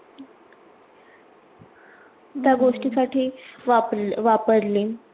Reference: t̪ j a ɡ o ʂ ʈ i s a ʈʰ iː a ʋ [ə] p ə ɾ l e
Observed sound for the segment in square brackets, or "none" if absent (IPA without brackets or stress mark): a